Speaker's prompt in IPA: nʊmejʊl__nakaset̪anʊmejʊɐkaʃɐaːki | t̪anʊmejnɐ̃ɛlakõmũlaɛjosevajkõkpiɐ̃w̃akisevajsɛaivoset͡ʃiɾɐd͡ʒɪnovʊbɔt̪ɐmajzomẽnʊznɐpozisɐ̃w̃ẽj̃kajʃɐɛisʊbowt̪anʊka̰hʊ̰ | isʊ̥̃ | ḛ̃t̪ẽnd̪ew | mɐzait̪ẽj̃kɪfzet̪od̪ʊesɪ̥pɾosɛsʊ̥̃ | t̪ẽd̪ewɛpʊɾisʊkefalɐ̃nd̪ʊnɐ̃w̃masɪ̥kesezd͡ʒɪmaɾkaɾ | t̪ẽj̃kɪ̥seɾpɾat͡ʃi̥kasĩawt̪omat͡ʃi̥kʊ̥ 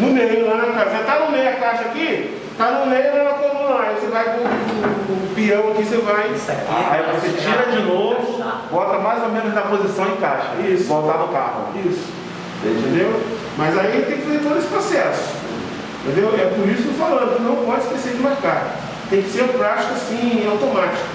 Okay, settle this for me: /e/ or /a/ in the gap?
a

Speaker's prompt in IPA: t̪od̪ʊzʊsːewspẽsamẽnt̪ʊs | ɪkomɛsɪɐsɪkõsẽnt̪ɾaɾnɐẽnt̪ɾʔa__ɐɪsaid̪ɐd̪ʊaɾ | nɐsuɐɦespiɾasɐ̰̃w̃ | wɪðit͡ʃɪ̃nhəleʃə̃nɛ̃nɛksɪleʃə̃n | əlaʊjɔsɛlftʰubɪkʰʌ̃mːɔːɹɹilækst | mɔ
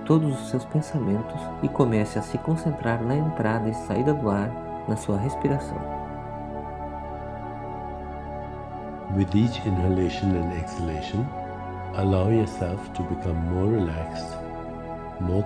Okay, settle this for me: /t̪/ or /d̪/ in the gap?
d̪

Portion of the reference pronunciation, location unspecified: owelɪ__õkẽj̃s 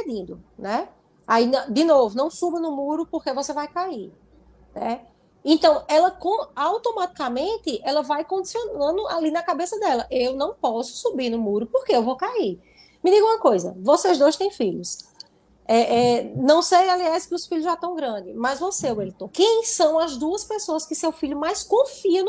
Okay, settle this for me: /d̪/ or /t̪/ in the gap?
t̪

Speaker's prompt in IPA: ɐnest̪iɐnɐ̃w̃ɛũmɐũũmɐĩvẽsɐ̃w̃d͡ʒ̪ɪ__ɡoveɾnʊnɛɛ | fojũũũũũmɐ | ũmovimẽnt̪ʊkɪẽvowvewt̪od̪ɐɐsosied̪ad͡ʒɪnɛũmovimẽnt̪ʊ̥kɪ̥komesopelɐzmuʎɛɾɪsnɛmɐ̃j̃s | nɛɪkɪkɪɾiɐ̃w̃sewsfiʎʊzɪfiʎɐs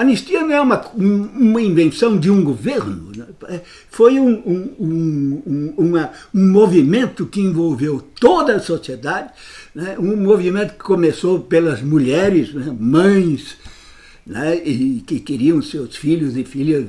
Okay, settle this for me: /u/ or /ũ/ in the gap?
ũ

